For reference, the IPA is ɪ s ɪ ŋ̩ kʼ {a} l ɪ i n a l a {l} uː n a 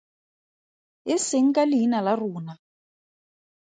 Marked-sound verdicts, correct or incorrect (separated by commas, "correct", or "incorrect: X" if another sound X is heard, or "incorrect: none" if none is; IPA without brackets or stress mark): correct, incorrect: r